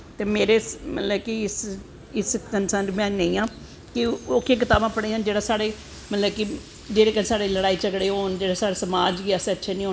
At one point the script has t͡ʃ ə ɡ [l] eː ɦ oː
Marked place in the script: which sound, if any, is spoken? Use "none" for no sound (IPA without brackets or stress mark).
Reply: ɽ